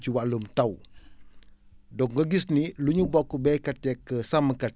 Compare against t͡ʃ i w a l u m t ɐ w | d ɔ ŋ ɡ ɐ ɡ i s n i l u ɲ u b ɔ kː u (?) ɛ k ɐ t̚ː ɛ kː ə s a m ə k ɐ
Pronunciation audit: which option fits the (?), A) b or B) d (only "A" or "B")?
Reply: A